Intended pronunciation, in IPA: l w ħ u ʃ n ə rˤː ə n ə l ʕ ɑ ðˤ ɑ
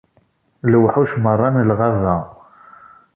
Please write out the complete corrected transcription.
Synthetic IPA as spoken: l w ħ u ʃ m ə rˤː ɑ n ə l ʁ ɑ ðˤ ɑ